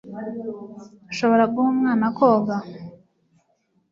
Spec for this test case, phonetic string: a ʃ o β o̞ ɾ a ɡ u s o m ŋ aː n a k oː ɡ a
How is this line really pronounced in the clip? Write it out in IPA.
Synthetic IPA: a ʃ o β o̞ ɾ a ɡ u h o m ŋ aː n a k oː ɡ a